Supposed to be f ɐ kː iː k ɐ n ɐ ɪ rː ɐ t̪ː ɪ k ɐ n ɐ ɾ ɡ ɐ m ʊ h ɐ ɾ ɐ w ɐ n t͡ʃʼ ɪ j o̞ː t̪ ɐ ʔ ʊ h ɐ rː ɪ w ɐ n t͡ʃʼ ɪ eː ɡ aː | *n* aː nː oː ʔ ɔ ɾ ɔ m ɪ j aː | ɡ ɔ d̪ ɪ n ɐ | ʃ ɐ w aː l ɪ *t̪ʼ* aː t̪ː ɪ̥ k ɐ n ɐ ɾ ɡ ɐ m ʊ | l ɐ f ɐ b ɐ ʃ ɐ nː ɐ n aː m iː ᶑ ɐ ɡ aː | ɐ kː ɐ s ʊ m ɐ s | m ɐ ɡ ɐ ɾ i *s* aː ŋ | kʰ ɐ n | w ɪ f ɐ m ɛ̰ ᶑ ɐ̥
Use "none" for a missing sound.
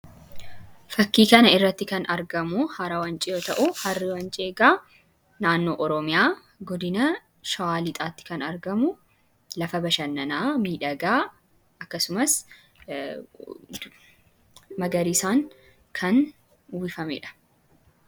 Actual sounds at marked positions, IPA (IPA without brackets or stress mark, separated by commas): n, t̪ʼ, s